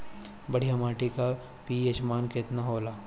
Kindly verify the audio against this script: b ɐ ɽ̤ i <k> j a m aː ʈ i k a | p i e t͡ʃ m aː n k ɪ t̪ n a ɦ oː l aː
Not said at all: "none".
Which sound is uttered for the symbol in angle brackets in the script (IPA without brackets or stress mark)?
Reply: none